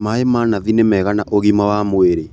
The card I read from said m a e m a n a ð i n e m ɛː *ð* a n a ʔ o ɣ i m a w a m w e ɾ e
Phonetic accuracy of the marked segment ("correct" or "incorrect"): incorrect